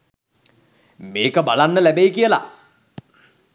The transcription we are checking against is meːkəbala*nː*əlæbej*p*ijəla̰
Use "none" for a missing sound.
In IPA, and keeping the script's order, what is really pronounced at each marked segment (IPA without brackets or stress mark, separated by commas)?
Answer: nː, k